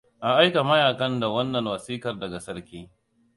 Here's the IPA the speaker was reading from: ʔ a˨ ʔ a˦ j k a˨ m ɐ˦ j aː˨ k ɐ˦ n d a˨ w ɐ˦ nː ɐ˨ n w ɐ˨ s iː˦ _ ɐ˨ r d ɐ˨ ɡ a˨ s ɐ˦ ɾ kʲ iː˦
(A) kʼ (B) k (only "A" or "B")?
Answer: B